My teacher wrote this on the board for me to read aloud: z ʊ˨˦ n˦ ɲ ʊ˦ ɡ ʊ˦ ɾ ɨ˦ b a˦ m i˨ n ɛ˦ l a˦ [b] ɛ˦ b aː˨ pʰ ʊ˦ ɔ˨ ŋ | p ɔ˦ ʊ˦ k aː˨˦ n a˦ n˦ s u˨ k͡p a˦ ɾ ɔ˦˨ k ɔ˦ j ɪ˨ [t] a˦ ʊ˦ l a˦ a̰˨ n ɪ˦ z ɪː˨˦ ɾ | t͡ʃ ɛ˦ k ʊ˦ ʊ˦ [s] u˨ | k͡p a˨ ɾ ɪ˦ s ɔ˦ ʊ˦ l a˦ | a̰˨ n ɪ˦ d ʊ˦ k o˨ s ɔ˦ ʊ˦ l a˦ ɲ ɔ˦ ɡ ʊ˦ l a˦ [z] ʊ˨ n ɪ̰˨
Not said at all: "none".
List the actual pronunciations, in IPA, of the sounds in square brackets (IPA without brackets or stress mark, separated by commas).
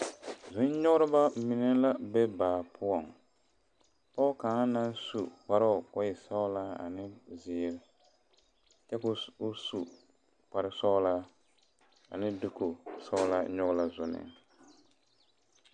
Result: b, s, s, z